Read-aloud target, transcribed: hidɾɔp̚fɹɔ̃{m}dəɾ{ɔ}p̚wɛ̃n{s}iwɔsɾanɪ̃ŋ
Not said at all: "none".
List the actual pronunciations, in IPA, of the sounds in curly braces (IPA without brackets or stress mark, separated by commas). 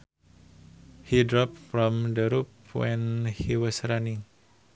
m, u, h